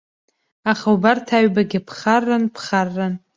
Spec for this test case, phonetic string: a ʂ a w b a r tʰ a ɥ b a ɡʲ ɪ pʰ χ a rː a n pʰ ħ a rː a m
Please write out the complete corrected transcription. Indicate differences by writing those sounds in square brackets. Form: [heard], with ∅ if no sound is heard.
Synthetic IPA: a [χ] a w b a r tʰ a ɥ b a ɡʲ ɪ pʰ χ a rː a n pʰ [χ] a rː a [n]